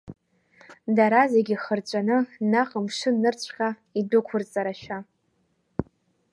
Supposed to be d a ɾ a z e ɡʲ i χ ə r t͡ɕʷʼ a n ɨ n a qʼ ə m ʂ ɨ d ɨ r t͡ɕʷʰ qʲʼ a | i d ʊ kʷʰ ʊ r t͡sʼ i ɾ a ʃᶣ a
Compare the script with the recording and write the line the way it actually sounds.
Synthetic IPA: d a ɾ a z e ɡʲ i χ ə r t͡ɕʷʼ a n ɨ n a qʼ ə m ʂ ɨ n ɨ r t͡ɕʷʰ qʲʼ a | i d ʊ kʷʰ ʊ r t͡sʼ a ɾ a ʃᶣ a